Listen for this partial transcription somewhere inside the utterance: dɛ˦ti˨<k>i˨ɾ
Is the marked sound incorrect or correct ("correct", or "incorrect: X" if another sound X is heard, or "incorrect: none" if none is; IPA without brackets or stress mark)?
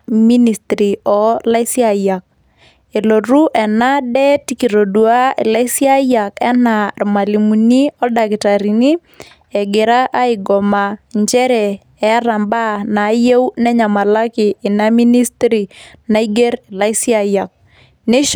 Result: correct